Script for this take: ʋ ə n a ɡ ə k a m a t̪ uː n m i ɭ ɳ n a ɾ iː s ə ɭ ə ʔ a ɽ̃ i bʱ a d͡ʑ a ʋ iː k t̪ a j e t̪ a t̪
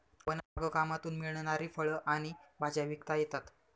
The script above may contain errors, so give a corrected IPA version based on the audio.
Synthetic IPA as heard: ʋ ə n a ɡ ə k a m a t̪ uː n m i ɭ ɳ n a ɾ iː f ə ɭ ə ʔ a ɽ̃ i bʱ a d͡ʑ a ʋ i k t̪ a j e t̪ a t̪